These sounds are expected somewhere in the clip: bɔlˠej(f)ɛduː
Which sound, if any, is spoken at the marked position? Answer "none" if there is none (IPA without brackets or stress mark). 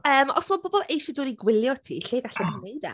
ʃ